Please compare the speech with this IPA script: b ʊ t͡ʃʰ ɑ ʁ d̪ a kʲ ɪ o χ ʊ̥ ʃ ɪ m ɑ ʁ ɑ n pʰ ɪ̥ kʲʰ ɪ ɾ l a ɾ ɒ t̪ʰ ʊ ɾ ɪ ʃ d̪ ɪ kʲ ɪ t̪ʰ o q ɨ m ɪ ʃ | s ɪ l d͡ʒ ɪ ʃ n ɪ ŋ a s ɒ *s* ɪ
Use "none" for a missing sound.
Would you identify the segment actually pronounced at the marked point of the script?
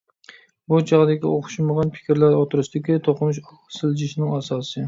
s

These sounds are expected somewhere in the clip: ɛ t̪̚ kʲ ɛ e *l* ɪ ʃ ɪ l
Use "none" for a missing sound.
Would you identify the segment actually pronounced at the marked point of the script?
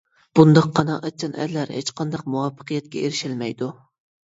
ɾ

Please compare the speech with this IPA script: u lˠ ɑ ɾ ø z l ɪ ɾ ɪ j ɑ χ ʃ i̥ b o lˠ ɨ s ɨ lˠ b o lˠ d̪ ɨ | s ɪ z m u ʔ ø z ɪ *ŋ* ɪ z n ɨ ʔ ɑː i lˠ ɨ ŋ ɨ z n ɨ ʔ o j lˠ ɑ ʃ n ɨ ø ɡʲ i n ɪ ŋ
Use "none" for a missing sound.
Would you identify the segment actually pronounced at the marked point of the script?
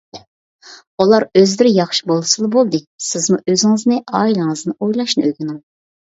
ŋ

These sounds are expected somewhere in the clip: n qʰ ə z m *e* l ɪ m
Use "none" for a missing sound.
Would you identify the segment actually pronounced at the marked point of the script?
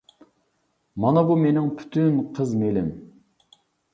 e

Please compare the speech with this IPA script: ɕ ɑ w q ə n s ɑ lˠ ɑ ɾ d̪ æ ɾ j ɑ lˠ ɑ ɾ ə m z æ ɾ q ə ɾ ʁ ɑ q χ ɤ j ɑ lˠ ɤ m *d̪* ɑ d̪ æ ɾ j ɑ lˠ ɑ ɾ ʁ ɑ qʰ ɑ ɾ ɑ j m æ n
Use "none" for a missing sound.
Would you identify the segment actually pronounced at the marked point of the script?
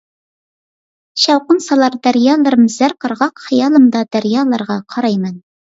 d̪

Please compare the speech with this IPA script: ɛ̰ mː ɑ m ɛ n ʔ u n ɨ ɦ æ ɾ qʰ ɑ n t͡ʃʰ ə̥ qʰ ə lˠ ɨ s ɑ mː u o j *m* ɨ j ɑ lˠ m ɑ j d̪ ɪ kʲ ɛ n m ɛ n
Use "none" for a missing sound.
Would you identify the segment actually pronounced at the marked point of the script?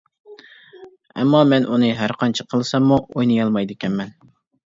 n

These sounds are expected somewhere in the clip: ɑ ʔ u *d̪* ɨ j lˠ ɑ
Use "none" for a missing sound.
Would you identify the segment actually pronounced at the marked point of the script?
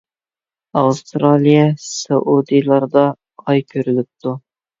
d̪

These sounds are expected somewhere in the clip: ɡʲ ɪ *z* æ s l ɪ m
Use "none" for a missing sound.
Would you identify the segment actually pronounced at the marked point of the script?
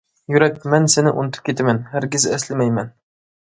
z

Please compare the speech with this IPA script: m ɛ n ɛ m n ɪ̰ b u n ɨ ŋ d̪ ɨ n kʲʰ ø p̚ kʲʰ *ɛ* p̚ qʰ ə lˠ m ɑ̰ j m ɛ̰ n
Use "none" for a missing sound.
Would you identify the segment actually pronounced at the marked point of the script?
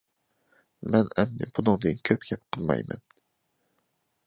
ɛ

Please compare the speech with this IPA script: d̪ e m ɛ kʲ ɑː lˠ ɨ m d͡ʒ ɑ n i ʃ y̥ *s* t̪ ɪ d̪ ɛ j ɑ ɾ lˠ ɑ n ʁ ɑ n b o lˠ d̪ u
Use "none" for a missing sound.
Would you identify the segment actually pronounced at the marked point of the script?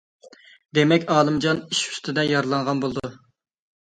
s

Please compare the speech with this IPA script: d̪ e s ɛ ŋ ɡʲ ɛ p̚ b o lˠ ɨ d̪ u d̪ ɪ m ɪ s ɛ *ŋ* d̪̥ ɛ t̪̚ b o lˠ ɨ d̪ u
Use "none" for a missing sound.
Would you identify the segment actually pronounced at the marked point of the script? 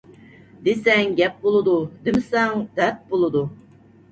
ŋ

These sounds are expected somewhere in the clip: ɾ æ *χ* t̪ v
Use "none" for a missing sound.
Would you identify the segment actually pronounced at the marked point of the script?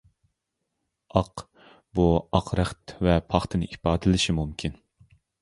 χ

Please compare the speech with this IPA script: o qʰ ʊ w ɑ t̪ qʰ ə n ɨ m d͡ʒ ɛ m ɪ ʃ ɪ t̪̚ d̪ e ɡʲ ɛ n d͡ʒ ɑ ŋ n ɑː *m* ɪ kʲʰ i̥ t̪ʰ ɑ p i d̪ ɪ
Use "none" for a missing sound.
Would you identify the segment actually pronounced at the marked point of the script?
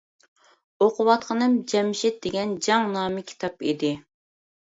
m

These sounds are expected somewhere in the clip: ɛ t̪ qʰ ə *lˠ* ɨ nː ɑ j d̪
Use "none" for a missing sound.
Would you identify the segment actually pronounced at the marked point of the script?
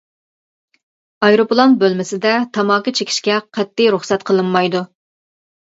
lˠ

